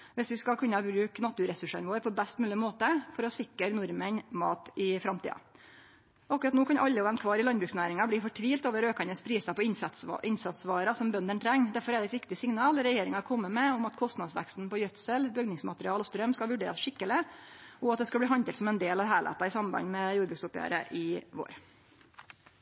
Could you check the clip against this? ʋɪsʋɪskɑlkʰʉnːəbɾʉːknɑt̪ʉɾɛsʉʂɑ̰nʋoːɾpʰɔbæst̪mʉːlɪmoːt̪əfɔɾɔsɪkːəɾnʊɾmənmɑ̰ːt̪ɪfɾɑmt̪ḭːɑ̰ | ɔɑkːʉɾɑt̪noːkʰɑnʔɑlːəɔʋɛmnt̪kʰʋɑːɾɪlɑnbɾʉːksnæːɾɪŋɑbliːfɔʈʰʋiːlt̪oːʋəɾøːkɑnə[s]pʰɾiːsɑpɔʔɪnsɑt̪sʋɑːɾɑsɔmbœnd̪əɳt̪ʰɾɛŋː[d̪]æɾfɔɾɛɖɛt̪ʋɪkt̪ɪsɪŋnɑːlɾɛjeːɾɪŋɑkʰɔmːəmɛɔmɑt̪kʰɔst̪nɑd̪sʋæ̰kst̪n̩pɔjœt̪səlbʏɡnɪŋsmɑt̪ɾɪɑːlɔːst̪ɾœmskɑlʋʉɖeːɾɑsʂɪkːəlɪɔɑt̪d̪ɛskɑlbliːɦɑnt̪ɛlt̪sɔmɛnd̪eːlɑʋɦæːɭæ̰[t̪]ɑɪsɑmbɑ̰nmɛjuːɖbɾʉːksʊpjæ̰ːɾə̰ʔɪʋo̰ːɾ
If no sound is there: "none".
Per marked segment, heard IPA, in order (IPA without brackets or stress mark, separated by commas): s, d̪, t̪